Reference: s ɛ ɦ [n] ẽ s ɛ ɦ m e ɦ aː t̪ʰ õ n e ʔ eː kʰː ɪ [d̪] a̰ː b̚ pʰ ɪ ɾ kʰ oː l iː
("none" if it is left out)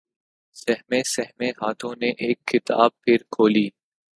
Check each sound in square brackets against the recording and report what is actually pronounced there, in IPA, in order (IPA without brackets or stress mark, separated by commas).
m, t̪